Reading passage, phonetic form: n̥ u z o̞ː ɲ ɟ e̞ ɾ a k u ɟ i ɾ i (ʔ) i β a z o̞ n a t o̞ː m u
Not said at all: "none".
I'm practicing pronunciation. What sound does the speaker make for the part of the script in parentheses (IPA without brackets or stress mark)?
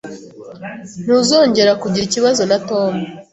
c